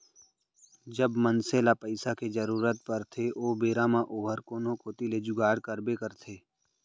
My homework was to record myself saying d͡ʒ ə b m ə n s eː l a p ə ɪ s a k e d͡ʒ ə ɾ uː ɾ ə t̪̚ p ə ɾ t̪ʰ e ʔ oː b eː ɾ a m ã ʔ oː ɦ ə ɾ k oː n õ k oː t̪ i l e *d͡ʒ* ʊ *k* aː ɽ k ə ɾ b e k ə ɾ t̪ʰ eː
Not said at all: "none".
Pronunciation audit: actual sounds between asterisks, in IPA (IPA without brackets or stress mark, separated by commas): d͡ʒ, ɡ